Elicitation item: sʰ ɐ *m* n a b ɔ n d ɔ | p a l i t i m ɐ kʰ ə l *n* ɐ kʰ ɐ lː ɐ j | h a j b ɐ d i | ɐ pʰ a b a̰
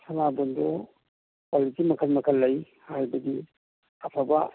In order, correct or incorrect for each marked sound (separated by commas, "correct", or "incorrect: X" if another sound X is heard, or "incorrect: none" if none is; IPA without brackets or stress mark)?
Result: incorrect: none, incorrect: m